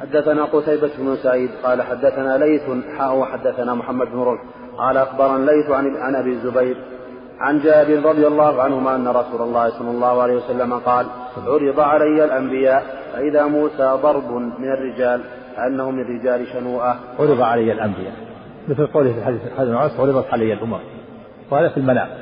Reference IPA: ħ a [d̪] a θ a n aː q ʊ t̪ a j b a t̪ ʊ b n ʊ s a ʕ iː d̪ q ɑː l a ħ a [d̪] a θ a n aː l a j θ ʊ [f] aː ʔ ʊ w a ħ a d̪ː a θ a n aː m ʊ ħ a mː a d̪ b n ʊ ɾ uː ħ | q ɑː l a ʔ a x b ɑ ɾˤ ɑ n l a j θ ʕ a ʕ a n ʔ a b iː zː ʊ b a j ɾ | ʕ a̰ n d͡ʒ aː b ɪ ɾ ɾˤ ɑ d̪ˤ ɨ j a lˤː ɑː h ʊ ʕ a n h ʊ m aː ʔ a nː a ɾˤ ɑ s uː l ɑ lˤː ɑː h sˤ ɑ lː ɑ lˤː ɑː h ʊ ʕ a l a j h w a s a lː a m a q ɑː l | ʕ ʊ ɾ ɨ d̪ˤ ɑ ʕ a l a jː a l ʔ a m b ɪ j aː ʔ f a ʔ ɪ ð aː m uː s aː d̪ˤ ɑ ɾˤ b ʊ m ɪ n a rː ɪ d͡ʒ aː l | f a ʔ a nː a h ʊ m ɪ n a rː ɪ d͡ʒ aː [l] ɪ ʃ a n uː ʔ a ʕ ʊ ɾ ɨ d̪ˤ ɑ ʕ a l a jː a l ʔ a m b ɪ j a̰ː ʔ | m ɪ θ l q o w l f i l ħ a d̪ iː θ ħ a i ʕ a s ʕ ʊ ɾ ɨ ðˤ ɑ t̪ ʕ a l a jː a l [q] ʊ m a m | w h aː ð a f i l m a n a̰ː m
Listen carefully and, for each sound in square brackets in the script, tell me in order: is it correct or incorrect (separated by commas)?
incorrect, incorrect, incorrect, correct, incorrect